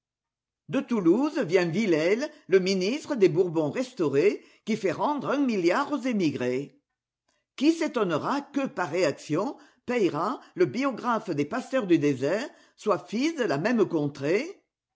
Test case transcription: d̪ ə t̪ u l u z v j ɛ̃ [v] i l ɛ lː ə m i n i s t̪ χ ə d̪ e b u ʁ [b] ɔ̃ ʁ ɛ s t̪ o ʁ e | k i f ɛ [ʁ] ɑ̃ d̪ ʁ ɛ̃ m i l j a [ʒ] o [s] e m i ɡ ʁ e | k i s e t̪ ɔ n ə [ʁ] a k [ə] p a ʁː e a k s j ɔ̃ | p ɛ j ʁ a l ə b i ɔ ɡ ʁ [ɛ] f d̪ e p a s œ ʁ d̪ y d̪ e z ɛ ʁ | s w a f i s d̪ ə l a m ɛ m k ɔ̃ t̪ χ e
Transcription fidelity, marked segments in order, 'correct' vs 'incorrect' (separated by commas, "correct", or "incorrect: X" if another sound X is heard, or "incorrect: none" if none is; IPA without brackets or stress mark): correct, correct, correct, incorrect: ʁ, incorrect: z, correct, correct, incorrect: a